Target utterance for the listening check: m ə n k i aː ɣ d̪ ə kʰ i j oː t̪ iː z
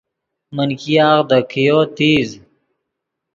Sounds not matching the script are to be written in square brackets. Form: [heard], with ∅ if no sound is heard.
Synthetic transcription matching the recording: m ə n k i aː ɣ d̪ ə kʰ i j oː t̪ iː z